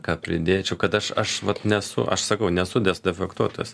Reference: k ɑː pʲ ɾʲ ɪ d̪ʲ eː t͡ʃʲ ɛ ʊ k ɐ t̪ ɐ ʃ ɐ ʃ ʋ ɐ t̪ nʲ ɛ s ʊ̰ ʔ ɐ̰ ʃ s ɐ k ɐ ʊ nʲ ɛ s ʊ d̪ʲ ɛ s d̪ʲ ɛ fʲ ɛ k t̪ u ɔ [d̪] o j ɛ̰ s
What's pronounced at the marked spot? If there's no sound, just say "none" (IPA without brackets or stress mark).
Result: t̪